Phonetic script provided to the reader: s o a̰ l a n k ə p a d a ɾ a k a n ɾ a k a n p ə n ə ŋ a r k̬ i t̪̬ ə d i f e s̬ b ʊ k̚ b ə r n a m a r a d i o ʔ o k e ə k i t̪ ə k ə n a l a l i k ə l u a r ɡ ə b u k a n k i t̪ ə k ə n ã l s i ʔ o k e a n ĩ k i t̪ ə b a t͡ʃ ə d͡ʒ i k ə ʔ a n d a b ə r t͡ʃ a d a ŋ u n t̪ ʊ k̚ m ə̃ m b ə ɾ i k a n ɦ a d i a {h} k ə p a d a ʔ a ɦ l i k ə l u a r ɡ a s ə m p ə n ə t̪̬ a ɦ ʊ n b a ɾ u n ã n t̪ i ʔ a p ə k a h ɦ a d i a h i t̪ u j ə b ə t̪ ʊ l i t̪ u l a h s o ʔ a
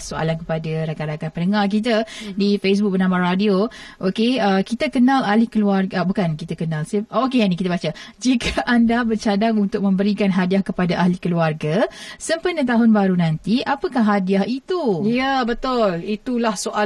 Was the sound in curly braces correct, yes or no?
yes